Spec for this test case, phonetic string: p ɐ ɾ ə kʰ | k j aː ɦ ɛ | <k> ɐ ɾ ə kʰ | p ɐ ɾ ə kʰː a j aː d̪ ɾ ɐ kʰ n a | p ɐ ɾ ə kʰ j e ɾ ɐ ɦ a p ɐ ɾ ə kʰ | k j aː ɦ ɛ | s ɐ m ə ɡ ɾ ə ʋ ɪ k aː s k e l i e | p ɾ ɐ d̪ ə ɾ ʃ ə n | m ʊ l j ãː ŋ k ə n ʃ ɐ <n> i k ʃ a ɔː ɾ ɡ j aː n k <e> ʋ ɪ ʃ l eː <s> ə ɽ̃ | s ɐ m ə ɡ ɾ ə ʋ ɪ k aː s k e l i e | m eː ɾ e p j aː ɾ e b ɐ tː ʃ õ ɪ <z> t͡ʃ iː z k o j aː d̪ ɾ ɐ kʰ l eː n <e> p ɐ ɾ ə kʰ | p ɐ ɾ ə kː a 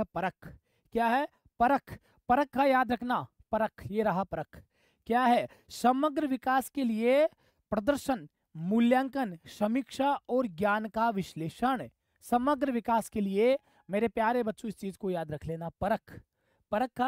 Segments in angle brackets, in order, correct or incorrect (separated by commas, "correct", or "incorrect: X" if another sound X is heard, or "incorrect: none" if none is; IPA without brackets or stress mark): incorrect: p, incorrect: m, incorrect: a, incorrect: ʃ, incorrect: s, incorrect: a